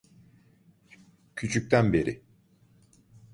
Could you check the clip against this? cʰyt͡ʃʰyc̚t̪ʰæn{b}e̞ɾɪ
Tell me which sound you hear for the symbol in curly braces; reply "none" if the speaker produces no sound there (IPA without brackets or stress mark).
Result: b